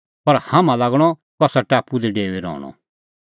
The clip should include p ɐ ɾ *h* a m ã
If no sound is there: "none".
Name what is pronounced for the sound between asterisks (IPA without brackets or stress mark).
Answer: h